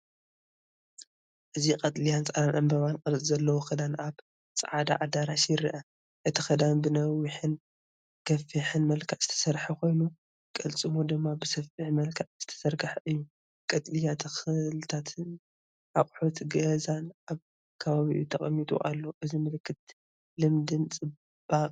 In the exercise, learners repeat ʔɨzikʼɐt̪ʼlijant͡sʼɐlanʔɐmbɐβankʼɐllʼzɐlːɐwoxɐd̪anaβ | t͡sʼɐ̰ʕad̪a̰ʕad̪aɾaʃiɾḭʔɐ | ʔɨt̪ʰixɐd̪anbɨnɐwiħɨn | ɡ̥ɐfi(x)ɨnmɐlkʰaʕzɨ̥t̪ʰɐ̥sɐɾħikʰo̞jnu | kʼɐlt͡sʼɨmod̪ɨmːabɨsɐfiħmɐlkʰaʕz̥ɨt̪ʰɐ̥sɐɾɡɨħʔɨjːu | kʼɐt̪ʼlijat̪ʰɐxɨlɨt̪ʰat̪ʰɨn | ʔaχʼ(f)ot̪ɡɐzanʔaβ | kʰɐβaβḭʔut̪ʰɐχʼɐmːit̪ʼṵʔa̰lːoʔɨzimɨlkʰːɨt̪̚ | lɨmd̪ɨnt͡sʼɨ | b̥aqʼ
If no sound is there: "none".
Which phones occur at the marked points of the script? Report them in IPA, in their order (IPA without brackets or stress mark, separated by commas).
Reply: ħ, ħ